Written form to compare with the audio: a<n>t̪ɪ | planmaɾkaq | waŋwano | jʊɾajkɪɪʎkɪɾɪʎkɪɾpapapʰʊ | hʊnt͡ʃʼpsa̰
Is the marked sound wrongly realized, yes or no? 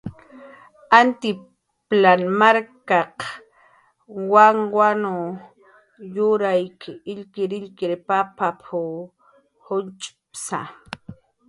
no